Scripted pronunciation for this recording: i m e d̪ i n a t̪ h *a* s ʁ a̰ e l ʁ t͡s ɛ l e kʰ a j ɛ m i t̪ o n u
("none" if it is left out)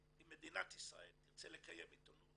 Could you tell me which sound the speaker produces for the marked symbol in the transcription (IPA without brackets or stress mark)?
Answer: i